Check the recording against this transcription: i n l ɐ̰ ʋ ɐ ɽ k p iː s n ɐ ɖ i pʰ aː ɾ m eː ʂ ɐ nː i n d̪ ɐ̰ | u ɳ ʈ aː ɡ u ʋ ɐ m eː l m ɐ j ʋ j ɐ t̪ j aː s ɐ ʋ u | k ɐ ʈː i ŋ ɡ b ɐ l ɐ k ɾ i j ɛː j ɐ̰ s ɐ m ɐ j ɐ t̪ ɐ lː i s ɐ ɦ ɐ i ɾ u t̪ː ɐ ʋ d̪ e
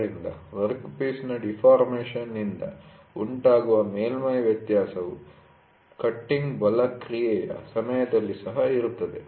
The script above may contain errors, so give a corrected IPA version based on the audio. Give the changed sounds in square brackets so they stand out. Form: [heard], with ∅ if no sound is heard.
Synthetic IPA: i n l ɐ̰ ʋ ɐ [ɾ] k p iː s n ɐ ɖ i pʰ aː ɾ m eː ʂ ɐ nː i n d̪ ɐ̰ | u ɳ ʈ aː ɡ u ʋ ɐ m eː l m ɐ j ʋ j ɐ t̪ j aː s ɐ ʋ u | k ɐ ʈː i ŋ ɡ b ɐ l ɐ k ɾ i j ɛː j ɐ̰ s ɐ m ɐ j ɐ [d̪] ɐ lː i s ɐ ɦ ɐ i ɾ u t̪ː ɐ [∅] d̪ e